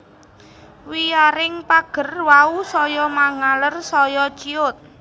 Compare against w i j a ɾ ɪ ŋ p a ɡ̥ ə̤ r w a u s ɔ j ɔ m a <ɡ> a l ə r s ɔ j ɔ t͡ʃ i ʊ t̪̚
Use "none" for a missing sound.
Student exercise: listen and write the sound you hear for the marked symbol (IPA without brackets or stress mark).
ŋ